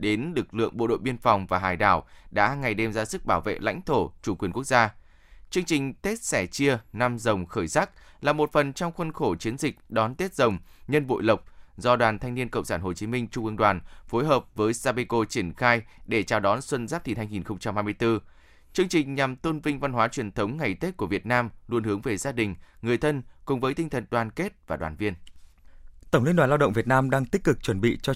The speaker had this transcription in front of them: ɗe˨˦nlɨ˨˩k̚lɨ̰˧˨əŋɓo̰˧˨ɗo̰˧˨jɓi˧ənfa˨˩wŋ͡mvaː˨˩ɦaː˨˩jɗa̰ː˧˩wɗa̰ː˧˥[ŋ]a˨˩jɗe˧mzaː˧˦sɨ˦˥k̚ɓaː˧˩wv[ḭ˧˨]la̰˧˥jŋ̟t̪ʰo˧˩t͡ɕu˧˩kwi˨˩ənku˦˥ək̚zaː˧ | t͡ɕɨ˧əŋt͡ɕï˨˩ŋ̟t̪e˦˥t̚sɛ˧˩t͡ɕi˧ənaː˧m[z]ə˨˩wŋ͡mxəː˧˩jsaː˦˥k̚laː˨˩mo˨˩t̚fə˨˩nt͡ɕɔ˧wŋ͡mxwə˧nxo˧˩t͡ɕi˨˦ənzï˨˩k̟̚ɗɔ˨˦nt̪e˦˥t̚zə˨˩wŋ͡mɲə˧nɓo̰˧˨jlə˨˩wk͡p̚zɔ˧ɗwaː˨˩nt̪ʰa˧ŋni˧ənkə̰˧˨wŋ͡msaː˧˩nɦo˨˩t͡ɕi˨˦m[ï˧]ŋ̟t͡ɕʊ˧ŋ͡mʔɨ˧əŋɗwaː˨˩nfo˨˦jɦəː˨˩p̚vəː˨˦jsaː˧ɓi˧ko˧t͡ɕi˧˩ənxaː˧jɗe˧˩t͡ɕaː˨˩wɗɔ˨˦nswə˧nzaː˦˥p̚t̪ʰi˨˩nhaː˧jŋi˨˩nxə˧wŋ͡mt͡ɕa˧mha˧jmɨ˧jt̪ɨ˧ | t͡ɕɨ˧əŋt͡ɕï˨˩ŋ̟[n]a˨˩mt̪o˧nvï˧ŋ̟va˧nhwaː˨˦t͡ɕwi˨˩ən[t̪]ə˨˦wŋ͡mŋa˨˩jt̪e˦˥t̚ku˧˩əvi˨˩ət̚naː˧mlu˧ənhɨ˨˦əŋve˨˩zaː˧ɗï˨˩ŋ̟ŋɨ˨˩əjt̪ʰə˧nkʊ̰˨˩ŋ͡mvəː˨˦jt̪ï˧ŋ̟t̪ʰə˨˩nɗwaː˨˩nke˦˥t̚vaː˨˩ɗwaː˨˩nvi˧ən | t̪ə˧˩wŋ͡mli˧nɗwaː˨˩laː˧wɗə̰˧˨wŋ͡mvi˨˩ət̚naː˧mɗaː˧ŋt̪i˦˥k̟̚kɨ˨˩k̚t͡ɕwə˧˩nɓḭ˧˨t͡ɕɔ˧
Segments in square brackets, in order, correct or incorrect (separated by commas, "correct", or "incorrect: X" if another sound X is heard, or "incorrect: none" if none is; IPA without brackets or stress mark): correct, incorrect: ḛ˧˨, correct, correct, incorrect: ɲ, incorrect: t̪ʰ